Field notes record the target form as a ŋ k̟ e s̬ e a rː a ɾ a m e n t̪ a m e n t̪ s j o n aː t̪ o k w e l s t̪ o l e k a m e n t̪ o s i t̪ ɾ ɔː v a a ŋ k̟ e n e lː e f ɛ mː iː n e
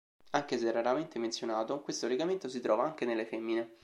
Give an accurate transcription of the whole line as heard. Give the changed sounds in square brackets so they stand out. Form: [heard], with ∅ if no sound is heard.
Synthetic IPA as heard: a ŋ k̟ e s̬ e [ɛ] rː a ɾ a m e n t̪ [e] m e n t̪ s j o n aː t̪ o k w e [∅] s t̪ o l e [ɡ] a m e n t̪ o s i t̪ ɾ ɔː v a a ŋ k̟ e n e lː e f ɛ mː [i] n e